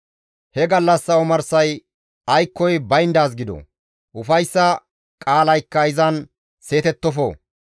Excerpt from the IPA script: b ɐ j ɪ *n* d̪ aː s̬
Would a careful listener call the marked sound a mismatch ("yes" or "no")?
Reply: no